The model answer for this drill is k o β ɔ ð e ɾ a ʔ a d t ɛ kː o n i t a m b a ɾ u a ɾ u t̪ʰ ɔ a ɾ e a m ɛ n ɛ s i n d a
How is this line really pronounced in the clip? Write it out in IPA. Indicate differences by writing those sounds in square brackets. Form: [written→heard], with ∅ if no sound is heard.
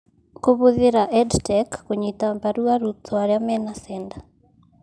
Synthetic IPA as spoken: k o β [ɔ→o] ð e ɾ a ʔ [a→ɛ] d t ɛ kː o [n→ɲ] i t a m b a ɾ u a ɾ u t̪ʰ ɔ a ɾ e a m ɛ n [ɛ→a] s [i→ɛ] n d a